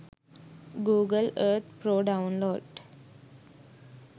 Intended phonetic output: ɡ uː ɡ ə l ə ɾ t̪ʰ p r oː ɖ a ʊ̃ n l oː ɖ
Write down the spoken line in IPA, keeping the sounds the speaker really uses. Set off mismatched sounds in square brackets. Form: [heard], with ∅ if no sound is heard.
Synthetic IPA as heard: ɡ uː ɡ ə l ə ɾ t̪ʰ p [ɾ] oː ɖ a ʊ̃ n l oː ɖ